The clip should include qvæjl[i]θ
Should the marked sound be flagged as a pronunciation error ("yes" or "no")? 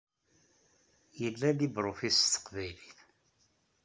no